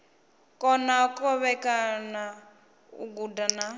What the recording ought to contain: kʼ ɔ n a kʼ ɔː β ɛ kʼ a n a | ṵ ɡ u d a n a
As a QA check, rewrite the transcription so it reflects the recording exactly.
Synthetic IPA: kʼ ɔ n a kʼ ɔ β ɛ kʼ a n a | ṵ ɡ u d a n a